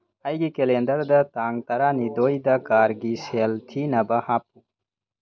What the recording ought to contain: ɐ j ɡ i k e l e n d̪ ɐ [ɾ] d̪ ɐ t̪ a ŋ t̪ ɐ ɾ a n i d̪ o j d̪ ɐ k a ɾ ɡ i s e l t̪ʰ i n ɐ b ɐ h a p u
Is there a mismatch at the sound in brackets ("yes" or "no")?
no